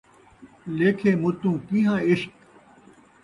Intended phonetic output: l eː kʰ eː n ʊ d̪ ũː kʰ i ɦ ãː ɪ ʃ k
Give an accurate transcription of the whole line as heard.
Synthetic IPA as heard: l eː kʰ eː m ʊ t̪ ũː k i ɦ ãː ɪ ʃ k